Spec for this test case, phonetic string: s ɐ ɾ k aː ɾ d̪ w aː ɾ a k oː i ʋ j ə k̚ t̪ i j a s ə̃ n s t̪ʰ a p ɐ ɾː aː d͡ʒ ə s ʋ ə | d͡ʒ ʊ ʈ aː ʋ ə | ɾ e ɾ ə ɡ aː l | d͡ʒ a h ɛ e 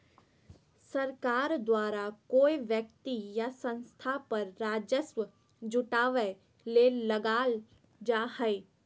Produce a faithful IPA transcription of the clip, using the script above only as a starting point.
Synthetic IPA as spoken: s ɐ ɾ k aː ɾ d̪ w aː ɾ a k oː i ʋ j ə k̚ t̪ i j a s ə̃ n s t̪ʰ a p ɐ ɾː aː d͡ʒ ə s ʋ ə | d͡ʒ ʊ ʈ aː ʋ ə | l e l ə ɡ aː l | d͡ʒ a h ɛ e